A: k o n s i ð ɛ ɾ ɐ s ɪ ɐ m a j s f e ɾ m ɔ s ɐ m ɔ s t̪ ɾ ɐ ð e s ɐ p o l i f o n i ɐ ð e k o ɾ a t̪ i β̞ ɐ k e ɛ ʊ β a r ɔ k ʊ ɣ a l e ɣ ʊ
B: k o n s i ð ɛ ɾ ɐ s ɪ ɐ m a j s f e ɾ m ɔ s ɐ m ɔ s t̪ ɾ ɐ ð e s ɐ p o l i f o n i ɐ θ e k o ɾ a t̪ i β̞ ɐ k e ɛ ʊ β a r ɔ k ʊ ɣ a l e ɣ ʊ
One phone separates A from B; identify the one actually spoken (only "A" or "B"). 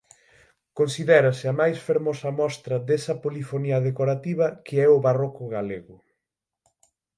A